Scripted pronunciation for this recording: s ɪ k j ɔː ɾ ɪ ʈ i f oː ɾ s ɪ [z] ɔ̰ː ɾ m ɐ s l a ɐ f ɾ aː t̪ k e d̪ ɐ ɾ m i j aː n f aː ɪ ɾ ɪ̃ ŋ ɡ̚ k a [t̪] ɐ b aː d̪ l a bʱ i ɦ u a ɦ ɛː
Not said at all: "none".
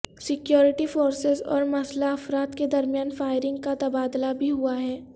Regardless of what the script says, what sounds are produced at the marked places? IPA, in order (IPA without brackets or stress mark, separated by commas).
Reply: z, t̪